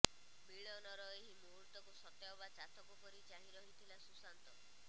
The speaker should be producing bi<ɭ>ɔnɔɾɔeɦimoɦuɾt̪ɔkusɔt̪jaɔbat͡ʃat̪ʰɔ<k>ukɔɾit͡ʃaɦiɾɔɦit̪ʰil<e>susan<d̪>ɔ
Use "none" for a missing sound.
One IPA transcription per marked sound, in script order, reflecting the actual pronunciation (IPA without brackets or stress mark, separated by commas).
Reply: ɭ, k, a, t̪